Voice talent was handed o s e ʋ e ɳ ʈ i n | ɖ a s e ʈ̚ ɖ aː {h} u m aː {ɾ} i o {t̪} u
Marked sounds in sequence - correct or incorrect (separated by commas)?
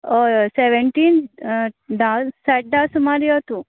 incorrect, correct, correct